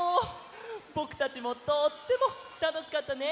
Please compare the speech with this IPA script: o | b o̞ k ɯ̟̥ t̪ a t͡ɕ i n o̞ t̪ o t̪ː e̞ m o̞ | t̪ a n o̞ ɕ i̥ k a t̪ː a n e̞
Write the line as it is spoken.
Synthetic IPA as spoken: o | b o̞ k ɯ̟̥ t̪ a t͡ɕ i m o̞ t̪ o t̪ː e̞ m o̞ | t̪ a n o̞ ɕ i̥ k a t̪ː a n e̞